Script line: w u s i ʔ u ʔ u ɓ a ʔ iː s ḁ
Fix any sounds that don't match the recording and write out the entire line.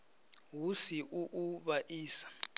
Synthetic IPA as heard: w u s i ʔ u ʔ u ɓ a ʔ iː s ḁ